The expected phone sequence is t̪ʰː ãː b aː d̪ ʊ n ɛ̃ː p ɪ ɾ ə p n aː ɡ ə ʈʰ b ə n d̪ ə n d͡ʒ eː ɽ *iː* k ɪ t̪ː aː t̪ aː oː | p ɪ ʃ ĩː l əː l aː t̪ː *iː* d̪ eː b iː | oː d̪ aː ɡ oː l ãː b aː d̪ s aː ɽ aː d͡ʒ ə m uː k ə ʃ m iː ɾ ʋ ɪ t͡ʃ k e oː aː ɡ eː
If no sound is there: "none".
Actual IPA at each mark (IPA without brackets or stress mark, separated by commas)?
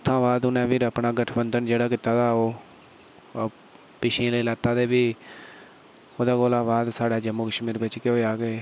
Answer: aː, aː